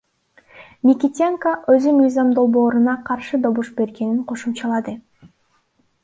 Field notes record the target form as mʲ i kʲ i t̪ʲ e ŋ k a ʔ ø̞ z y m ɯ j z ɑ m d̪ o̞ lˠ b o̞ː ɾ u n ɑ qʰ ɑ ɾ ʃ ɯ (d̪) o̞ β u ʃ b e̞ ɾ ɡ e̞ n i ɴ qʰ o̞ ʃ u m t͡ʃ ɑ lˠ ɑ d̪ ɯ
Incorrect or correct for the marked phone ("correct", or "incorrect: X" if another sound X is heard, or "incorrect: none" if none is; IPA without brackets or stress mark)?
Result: correct